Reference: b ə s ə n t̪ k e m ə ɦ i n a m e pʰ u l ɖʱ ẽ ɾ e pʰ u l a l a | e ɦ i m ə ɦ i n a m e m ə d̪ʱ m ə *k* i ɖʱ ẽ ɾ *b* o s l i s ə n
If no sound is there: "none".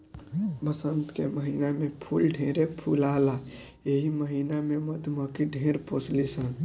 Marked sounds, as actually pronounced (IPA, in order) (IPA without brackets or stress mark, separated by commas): k, p